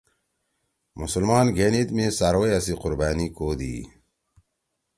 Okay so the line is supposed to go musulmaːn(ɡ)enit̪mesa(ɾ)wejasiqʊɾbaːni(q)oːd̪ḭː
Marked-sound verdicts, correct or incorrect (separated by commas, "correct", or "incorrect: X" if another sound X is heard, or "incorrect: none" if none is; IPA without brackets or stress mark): correct, correct, incorrect: k